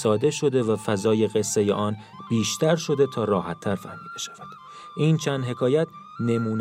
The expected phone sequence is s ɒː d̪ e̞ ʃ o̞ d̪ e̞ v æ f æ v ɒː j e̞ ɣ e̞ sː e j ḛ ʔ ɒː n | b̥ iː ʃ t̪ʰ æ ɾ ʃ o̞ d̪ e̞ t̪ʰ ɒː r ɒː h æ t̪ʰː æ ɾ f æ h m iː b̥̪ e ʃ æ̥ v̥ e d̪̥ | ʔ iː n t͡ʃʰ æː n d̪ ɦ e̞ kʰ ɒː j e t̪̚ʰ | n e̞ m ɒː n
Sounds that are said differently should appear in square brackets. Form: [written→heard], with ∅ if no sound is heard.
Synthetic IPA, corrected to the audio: s ɒː d̪ e̞ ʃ o̞ d̪ e̞ v æ f æ [v→z] ɒː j e̞ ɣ e̞ sː e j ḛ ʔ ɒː n | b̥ iː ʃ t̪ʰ æ ɾ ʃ o̞ d̪ e̞ t̪ʰ ɒː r ɒː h æ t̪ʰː æ ɾ f æ h m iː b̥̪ e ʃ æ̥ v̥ [e→æ] d̪̥ | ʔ iː n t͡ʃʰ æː n d̪ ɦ e̞ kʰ ɒː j [e→æ] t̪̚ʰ | n e̞ m [ɒː→uː] n